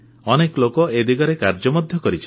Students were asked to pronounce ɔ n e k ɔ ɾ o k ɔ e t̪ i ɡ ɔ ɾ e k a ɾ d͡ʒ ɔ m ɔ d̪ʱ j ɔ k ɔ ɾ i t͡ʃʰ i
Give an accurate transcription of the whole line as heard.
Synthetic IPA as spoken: ɔ n e k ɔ l o k ɔ e d̪ i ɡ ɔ ɾ e k a ɾ d͡ʒ ɔ m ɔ d̪ʱ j ɔ k ɔ ɾ i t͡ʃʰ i